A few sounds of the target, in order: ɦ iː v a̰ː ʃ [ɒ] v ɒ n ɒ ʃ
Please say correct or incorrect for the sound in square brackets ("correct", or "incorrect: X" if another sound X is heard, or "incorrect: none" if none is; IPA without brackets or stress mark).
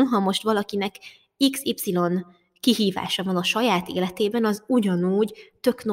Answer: correct